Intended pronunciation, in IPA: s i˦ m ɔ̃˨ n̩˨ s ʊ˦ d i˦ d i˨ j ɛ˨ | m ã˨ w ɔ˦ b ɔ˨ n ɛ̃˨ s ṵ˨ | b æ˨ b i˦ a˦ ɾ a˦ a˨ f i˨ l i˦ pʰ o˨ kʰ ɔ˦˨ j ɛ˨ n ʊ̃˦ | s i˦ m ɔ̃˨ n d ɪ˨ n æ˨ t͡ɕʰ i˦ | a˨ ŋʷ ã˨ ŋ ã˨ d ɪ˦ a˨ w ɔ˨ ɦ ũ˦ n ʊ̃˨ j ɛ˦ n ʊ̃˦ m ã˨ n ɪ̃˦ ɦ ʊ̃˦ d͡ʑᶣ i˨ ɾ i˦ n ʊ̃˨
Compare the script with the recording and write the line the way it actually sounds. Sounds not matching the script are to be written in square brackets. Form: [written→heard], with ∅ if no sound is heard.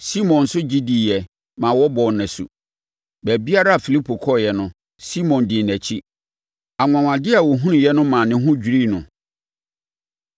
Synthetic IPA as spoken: s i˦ m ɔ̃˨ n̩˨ s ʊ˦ [d→d͡ʑ] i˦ d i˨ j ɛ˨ | m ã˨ w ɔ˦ b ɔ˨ n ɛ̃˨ s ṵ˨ | b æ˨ b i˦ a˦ ɾ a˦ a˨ f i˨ l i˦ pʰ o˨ kʰ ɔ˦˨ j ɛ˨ n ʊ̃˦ | s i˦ m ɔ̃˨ n d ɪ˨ n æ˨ t͡ɕʰ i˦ | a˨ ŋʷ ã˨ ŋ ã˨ d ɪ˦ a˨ w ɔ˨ ɦ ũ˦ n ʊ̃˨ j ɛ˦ n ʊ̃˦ m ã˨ n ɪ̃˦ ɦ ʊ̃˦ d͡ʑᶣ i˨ ɾ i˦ n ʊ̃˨